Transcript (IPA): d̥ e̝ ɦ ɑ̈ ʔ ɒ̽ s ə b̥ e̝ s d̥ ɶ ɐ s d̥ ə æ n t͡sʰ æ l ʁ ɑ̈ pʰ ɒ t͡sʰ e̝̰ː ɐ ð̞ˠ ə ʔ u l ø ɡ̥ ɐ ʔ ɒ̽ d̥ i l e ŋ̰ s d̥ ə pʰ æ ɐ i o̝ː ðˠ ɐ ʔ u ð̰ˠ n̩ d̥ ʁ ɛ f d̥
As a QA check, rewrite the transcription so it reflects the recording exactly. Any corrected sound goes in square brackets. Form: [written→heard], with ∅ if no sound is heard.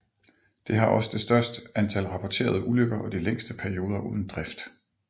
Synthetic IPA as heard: d̥ e̝ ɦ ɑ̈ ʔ ɒ̽ s ə [b̥→d̥] e̝ s d̥ ɶ ɐ s d̥ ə æ n t͡sʰ æ l ʁ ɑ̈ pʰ ɒ t͡sʰ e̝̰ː ɐ ð̞ˠ ə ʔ u l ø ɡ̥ ɐ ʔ ɒ̽ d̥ i l e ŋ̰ s d̥ ə pʰ æ ɐ i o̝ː ðˠ ɐ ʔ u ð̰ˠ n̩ d̥ ʁ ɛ f d̥

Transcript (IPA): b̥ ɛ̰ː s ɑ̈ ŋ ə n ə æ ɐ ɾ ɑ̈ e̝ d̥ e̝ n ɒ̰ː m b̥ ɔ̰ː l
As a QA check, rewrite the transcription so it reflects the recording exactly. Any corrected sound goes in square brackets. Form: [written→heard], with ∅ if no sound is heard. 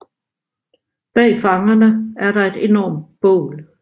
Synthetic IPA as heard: b̥ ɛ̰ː [s→f] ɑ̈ ŋ [ə→ɐ] n ə æ ɐ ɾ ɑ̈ e̝ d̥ e̝ n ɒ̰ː m b̥ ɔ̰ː l

